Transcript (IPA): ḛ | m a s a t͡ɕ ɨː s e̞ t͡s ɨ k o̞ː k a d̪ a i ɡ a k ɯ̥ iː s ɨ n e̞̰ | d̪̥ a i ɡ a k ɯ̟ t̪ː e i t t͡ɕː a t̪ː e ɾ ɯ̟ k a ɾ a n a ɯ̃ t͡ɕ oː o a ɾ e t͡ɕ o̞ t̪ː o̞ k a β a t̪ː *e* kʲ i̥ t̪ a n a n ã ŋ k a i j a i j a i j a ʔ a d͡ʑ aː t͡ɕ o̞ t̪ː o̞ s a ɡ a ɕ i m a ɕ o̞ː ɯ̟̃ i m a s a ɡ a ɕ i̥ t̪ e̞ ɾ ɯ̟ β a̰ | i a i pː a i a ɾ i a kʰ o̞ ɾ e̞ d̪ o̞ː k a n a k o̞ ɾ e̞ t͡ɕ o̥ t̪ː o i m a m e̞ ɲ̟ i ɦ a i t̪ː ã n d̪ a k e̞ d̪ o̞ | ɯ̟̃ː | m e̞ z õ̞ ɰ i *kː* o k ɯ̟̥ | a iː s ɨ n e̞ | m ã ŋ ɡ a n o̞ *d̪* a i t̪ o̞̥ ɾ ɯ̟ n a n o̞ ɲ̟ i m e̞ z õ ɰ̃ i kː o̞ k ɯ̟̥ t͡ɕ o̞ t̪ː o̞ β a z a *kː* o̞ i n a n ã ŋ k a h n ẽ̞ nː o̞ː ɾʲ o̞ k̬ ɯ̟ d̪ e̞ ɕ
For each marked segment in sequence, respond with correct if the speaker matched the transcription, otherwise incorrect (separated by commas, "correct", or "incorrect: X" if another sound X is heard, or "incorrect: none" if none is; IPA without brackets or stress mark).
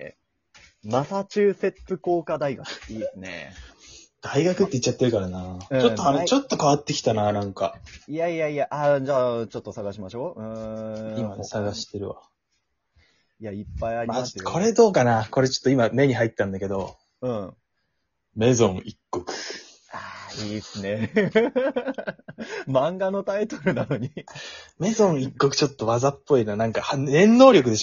correct, correct, incorrect: t̪, incorrect: pː